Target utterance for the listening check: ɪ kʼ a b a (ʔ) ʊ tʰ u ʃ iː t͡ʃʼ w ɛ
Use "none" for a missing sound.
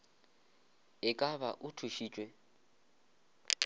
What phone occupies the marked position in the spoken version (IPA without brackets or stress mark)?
ʔ